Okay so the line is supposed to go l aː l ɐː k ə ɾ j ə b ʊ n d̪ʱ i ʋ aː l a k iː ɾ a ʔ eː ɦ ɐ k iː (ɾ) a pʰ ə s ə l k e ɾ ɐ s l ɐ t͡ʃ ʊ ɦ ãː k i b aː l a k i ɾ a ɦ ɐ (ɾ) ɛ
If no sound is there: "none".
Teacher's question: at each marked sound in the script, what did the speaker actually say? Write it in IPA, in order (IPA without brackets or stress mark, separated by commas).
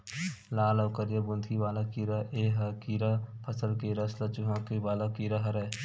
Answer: ɾ, ɾ